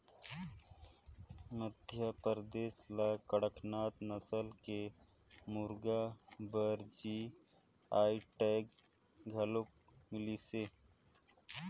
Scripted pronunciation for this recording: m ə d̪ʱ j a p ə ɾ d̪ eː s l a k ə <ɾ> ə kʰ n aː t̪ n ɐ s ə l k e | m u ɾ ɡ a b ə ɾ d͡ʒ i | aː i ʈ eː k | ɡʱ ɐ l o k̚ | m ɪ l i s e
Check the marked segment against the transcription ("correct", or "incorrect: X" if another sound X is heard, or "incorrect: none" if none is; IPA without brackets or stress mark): incorrect: ɽ